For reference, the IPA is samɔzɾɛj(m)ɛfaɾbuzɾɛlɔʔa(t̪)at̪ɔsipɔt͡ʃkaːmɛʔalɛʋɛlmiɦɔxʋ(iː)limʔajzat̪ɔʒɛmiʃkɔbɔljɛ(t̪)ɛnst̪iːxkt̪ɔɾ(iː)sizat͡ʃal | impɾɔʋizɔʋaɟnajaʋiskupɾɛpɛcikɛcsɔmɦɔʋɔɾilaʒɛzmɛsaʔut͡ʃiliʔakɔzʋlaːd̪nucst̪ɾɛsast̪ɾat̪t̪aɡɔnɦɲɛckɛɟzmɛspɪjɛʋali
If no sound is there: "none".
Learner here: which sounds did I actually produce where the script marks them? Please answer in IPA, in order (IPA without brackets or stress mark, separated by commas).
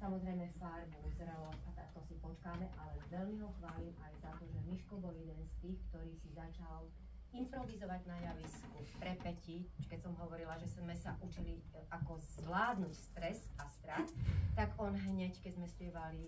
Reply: m, t̪, aː, d̪, iː